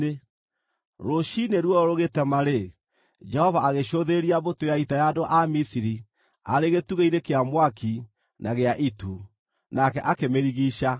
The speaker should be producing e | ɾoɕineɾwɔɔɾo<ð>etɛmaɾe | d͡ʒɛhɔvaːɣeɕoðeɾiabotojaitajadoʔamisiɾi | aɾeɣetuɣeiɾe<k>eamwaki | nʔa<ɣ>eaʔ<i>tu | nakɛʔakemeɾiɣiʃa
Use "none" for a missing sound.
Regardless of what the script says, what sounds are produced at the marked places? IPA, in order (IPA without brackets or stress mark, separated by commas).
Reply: ɣ, k, ɣ, i